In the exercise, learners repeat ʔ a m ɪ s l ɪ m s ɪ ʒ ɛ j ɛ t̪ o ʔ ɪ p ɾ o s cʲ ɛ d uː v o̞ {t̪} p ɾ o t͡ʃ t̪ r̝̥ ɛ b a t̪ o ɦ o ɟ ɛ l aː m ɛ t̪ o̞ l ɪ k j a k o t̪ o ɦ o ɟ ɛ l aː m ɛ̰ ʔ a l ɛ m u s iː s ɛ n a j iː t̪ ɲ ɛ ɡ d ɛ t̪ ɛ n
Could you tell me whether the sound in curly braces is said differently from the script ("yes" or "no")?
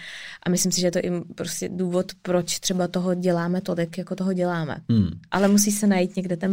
no